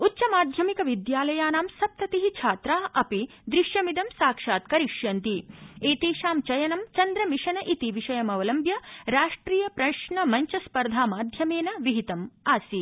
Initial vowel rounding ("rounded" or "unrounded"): rounded